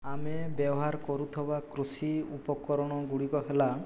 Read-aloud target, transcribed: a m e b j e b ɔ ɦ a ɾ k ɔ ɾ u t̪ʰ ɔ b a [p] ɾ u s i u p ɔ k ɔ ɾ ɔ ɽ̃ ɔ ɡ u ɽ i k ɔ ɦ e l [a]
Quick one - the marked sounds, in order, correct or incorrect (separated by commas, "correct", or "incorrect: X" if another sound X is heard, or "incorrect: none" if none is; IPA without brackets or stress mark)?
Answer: incorrect: k, correct